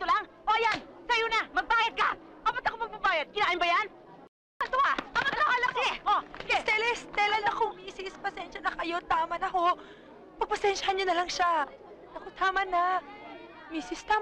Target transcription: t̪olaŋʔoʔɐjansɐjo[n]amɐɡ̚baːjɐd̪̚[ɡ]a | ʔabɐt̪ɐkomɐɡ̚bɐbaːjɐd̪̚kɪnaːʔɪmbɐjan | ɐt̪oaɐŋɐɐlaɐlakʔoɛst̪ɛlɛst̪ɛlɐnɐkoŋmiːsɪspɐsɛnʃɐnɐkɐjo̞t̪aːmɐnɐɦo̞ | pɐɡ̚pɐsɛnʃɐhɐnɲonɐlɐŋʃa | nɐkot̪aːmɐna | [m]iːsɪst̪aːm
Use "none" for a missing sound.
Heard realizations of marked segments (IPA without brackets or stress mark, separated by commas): n, k, m